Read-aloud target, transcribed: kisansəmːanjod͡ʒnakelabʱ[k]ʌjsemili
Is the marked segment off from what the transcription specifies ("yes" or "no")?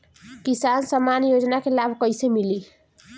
no